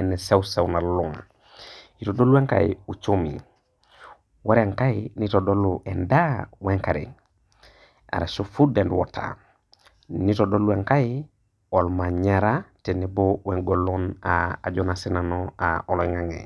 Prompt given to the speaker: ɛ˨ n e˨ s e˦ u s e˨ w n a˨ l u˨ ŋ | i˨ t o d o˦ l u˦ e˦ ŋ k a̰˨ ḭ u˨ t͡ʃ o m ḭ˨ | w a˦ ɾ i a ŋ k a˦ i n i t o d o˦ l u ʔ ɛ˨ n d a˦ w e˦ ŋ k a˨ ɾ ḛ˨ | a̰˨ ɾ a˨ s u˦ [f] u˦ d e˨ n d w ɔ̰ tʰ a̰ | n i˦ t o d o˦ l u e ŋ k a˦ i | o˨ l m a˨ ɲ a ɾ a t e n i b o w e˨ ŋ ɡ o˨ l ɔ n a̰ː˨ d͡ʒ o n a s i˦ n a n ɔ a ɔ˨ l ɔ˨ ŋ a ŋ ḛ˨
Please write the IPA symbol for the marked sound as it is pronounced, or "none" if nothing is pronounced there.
f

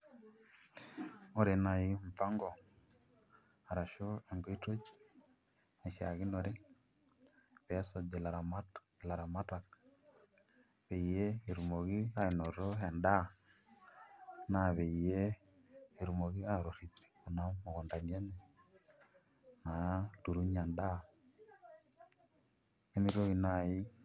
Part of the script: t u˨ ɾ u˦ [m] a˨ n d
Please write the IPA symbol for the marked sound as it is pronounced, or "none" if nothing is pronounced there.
ɲ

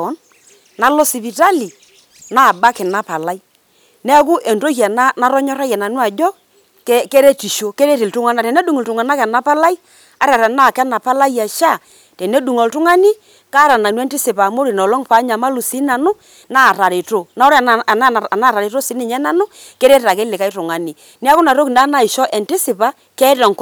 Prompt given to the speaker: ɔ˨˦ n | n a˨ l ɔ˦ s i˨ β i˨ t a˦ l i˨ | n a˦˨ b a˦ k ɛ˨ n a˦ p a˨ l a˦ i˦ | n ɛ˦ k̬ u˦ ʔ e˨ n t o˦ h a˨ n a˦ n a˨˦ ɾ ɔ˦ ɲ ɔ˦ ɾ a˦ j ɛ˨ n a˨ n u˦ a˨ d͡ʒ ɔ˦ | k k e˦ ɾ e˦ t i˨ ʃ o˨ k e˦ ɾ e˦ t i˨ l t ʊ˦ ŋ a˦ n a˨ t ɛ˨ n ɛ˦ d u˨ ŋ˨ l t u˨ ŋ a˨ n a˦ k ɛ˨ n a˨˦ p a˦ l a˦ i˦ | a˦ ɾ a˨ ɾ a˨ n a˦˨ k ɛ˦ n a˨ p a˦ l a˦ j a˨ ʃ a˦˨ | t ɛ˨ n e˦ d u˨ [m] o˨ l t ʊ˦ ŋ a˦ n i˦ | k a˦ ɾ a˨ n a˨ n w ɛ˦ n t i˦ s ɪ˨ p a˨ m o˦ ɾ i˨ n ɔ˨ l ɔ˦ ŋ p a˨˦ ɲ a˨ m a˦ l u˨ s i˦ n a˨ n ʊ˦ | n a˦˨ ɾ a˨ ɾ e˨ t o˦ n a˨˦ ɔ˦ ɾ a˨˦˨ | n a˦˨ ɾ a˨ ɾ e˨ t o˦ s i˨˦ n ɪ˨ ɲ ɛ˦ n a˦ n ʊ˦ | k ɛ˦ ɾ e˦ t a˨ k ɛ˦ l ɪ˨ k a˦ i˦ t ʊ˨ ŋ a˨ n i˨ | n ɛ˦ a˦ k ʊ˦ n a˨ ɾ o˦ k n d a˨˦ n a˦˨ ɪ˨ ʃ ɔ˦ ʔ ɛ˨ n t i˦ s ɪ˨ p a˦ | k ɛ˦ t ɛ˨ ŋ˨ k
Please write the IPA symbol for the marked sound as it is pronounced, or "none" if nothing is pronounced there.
ŋ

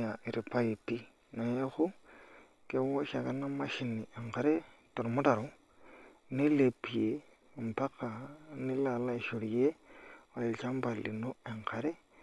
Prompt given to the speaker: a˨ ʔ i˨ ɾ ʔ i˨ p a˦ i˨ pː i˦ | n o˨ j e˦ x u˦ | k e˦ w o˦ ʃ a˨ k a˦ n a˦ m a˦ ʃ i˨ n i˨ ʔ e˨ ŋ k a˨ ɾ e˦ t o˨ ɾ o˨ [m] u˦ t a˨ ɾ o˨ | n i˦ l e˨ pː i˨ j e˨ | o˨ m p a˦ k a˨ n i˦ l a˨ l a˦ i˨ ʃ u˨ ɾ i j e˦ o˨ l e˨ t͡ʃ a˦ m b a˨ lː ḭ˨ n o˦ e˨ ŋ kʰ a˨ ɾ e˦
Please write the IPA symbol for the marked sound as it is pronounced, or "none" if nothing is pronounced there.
m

